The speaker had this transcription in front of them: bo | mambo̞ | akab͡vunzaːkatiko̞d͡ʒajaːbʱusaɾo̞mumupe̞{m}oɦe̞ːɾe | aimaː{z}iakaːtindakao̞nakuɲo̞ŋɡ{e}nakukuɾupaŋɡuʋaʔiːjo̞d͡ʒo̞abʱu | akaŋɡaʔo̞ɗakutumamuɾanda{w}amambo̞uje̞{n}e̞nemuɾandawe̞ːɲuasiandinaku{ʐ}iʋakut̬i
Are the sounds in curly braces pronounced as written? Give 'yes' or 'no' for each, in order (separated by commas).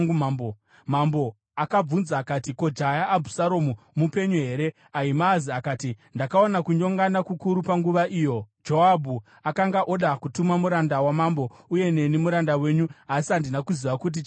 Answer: no, yes, no, yes, yes, no